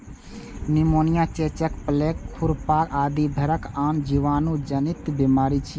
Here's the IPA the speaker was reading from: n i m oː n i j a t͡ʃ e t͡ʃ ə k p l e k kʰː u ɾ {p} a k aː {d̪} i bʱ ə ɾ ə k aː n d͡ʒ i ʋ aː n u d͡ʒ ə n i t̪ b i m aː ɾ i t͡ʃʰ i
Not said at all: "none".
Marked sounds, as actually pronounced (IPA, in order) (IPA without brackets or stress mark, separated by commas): p, d̪